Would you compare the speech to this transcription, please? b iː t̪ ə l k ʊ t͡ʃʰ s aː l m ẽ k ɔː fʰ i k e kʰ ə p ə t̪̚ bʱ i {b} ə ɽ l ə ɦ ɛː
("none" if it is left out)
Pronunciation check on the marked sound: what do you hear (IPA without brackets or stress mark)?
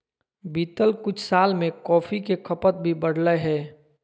b